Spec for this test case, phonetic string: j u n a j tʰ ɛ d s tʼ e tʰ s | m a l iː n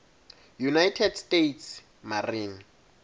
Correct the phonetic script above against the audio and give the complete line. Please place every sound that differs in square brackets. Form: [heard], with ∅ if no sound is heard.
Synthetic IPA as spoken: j u n a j tʰ ɛ d s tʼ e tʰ s | m a [r] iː n